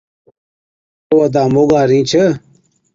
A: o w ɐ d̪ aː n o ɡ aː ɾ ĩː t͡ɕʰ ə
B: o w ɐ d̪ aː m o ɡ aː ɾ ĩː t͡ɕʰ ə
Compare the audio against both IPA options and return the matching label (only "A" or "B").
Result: B